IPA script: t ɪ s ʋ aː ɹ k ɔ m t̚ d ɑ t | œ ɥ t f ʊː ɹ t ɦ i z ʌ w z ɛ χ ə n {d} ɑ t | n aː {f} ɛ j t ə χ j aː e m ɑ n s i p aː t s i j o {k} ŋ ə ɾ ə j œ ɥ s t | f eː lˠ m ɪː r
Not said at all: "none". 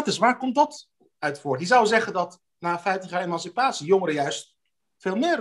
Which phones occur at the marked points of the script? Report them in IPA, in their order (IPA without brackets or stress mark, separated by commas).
d, f, none